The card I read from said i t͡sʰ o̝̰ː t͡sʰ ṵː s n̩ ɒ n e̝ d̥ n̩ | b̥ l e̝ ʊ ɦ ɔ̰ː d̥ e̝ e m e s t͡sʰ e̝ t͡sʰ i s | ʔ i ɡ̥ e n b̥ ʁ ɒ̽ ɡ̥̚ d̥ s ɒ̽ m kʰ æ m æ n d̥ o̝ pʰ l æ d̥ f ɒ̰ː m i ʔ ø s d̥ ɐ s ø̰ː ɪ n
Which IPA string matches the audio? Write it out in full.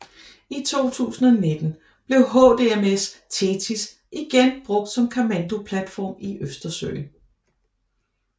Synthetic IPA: i t͡sʰ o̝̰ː t͡sʰ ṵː s n̩ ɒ n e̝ d̥ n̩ | b̥ l e̝ ʊ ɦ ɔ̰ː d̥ e̝ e m e s t͡sʰ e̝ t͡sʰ i s | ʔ i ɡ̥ e n b̥ ʁ ɔ̽ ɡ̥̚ d̥ s ɒ̽ m kʰ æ m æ n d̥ o̝ pʰ l æ d̥ f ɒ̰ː m i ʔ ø s d̥ ɐ s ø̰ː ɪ n